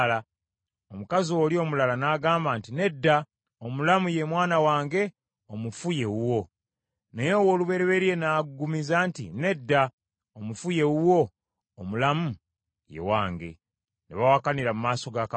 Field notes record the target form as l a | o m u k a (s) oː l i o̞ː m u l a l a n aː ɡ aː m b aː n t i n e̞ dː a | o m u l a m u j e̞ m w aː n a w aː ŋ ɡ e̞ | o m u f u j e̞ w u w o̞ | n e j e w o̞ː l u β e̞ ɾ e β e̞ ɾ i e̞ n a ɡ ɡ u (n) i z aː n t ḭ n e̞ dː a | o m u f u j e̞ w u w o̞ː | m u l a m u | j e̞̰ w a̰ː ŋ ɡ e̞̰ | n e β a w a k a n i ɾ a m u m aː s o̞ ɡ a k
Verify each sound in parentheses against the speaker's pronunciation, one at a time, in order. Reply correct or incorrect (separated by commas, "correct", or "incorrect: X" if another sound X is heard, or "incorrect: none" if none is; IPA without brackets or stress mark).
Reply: incorrect: z, incorrect: m